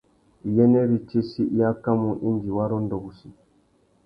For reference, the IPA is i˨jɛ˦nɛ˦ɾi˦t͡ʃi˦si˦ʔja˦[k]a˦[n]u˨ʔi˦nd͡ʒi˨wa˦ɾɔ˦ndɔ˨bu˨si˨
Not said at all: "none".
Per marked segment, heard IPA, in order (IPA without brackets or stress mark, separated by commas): k, m